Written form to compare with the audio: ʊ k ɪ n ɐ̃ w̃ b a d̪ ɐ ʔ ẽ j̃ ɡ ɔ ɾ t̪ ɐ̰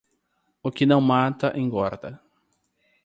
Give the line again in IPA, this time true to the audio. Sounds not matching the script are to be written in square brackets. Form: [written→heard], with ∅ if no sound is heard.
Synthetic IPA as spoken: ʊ k ɪ n ɐ̃ w̃ [b→m] a [d̪→t̪] ɐ ʔ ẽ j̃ ɡ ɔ ɾ [t̪→d̪] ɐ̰